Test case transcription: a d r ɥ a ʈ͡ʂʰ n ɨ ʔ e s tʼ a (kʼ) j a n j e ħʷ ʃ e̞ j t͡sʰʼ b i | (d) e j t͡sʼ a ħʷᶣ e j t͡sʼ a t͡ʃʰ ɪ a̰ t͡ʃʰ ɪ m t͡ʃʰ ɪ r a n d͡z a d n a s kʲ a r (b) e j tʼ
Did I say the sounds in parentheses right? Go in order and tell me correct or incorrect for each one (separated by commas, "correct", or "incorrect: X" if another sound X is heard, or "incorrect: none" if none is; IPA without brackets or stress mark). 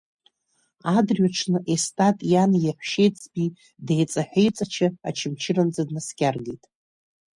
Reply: incorrect: tʼ, correct, incorrect: ɡ